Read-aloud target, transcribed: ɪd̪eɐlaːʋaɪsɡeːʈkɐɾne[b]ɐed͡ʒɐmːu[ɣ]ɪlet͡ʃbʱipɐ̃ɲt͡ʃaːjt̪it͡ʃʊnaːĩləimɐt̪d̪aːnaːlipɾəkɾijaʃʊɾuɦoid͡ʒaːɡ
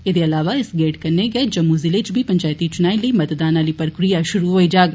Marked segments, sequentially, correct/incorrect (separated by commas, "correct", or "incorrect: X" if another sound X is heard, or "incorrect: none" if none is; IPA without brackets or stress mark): incorrect: ɡ, incorrect: z